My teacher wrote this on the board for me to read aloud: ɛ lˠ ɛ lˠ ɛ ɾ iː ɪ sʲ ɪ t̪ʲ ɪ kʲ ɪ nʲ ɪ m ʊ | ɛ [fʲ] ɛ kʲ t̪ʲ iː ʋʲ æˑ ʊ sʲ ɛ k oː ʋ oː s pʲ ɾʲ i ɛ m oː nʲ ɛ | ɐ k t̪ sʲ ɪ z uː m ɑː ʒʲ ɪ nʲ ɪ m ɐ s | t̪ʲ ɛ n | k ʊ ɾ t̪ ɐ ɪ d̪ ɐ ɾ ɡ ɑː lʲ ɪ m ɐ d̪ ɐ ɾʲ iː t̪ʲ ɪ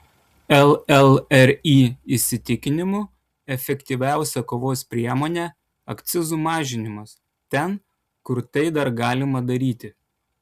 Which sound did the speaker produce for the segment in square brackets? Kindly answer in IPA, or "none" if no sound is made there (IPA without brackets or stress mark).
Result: fʲ